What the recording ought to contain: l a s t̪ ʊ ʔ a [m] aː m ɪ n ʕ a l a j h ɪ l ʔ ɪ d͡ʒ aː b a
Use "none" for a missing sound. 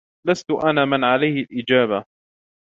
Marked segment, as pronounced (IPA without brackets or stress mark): n